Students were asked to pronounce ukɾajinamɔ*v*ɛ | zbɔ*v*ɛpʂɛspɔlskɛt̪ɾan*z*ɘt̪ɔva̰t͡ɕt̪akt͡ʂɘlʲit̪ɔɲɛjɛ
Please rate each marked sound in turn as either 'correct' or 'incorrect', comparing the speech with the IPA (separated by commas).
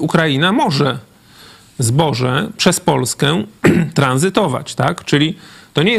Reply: incorrect, incorrect, correct